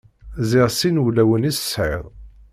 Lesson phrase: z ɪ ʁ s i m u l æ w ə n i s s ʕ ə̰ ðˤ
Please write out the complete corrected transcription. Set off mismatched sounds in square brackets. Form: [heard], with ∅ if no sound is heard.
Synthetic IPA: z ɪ ʁ s i [n] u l æ w ə n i s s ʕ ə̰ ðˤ